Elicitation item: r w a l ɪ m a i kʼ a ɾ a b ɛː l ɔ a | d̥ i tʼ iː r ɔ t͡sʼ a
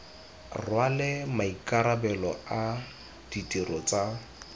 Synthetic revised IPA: r w a l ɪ m a i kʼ a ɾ a b ɛ l ɔ a | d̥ i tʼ i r ɔ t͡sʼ a